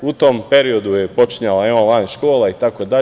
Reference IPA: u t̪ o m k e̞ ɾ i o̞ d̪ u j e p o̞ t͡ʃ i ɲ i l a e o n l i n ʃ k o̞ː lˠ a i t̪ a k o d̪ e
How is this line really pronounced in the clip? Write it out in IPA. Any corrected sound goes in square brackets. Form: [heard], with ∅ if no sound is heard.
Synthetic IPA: u t̪ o m [p] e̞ ɾ i o̞ d̪ u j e p o̞ t͡ʃ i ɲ [a] l a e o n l [a] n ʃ k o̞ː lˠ a i t̪ a k o d̪ [a]